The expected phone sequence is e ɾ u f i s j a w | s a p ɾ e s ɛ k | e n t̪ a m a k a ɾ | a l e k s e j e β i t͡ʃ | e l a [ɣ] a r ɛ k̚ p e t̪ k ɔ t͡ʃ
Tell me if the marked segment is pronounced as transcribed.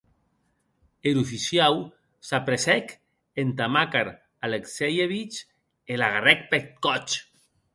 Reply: yes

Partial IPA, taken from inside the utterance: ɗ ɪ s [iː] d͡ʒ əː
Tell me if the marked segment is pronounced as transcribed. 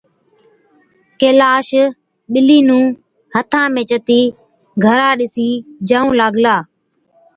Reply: yes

